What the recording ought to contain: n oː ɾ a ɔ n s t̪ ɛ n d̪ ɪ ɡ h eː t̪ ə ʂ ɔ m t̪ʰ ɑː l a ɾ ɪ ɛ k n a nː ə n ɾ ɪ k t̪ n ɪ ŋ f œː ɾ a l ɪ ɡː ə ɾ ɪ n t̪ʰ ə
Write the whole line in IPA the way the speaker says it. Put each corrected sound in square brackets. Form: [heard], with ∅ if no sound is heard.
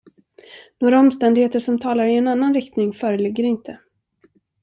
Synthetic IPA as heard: n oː ɾ a ɔ [m] s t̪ ɛ n d̪ ɪ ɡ h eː t̪ ə ʂ ɔ m t̪ʰ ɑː l a ɾ ɪ ɛ [∅] n a nː [a] n ɾ ɪ k t̪ n ɪ ŋ f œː ɾ [ə] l ɪ ɡː ə ɾ ɪ n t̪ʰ ə